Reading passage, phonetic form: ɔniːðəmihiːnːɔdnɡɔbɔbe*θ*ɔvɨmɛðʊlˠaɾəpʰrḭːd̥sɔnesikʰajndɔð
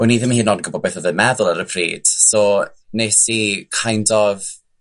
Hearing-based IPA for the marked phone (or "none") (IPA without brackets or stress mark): θ